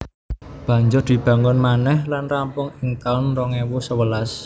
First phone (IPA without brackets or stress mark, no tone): b̥